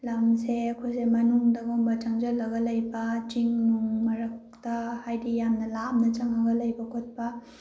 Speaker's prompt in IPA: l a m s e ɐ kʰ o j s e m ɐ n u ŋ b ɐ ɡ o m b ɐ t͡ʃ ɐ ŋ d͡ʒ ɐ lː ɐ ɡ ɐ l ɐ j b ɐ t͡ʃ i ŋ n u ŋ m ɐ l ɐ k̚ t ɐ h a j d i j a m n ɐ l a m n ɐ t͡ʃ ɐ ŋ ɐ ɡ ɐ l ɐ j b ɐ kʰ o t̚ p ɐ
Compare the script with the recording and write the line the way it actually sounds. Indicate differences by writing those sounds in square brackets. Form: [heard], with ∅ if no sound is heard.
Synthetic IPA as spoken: l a m s e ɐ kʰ o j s e m ɐ n u ŋ [d] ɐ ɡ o m b ɐ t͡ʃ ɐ ŋ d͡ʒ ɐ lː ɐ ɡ ɐ l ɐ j b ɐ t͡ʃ i ŋ n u ŋ m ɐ [ɾ] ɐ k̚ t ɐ h a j d i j a m n ɐ l a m n ɐ t͡ʃ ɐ ŋ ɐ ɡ ɐ l ɐ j b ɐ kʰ o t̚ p ɐ

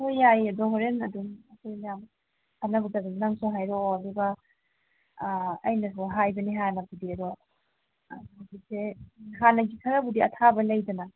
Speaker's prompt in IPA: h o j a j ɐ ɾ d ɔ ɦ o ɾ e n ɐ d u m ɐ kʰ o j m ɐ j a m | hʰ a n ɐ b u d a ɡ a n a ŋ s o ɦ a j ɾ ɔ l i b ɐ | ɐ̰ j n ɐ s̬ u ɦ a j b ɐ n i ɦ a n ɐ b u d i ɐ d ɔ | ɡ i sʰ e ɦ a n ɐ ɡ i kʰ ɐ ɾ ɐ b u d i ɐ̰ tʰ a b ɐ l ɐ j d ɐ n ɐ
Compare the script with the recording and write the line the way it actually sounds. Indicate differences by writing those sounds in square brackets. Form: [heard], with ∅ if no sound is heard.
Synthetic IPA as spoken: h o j a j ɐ [∅] d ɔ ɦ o ɾ e n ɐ d u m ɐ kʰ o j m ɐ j a m | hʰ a n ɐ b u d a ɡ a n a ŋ s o ɦ a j ɾ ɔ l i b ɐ | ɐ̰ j n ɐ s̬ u ɦ a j b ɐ n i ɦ a n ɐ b u d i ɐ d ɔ | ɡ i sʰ e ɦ a n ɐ ɡ i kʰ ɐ ɾ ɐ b u d i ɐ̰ tʰ a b ɐ l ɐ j d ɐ n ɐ

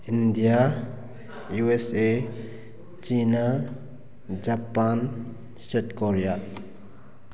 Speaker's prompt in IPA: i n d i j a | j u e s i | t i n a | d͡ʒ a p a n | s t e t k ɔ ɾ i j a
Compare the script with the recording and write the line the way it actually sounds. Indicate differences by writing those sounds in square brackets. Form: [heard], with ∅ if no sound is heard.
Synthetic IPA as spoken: i n d i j a | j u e s [e] | [t͡ʃ] i n a | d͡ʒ a p a n | s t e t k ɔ ɾ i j a

